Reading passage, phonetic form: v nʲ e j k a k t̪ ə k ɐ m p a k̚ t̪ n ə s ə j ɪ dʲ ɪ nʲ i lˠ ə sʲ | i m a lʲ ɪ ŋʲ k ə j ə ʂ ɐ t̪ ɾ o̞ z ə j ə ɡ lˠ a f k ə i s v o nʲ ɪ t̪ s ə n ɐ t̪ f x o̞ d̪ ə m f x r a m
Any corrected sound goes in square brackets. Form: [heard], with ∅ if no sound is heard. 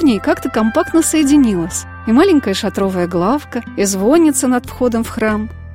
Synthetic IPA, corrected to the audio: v nʲ e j k a k t̪ ə k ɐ m p a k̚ t̪ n ə s ə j ɪ dʲ ɪ nʲ i lˠ ə sʲ | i m a lʲ ɪ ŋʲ k ə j ə ʂ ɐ t̪ ɾ o̞ [v] ə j ə ɡ lˠ a f k ə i [z] v o nʲ ɪ t̪ s ə n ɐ t̪ f x o̞ d̪ ə m f x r a m